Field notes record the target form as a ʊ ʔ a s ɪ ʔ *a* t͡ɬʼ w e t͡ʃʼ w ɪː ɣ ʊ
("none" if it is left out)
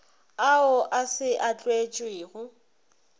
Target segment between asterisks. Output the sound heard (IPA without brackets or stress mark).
a